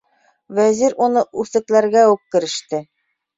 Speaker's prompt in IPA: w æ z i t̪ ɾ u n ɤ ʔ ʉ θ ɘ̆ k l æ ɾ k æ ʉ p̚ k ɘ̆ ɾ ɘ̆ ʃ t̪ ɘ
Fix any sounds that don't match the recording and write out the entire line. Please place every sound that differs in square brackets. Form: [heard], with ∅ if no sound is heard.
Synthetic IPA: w æ z i [∅] ɾ u n ɤ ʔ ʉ θ ɘ̆ k l æ ɾ [ɡ] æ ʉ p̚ k ɘ̆ ɾ ɘ̆ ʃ t̪ ɘ